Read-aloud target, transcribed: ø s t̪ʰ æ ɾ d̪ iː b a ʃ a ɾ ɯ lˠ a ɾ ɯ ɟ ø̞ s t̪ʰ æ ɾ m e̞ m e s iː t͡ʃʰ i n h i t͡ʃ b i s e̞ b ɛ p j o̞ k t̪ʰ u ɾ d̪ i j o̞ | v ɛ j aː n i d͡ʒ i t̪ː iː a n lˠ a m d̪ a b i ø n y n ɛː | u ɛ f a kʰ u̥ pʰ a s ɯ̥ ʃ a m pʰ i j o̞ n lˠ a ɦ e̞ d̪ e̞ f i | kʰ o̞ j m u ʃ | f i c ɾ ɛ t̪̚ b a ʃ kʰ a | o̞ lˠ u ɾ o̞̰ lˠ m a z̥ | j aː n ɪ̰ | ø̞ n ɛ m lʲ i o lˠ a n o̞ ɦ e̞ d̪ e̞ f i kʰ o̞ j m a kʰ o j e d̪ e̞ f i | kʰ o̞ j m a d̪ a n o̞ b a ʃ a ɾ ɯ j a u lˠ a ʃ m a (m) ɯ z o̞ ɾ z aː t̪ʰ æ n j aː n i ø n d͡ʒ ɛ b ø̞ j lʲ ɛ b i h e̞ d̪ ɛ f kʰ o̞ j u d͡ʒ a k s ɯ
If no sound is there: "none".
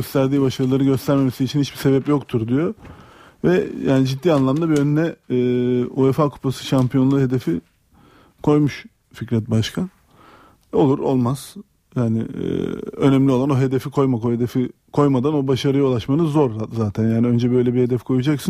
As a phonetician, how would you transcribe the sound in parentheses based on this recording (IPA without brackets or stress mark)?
n